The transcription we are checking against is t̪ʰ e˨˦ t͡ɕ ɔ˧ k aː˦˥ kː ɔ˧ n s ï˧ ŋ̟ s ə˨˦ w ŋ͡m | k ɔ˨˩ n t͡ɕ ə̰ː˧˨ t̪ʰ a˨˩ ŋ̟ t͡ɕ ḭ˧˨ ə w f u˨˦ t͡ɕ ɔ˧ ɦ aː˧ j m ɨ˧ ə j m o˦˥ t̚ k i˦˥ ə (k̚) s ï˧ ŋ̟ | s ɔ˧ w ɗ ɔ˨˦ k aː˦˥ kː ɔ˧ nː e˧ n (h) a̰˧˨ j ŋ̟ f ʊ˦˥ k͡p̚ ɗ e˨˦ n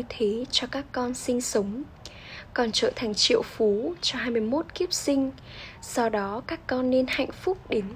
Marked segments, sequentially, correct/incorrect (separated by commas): incorrect, correct